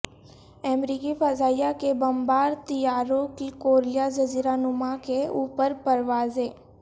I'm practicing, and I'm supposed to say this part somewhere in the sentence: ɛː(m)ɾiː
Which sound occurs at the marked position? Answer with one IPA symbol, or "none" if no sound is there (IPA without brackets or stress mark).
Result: m